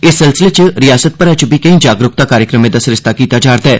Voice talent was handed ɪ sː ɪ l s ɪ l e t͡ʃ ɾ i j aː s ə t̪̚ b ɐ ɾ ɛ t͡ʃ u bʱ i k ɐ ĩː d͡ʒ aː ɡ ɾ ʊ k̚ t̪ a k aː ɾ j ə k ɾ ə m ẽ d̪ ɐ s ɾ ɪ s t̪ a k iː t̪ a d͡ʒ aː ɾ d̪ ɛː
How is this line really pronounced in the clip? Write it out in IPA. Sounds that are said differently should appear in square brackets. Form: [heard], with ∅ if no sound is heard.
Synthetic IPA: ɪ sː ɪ l s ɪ l e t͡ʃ ɾ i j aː s ə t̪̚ [p] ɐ ɾ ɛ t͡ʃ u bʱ i k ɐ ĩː d͡ʒ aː ɡ ɾ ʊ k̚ t̪ a k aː ɾ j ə k ɾ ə m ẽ d̪ ɐ s ɾ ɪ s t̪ a k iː t̪ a d͡ʒ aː ɾ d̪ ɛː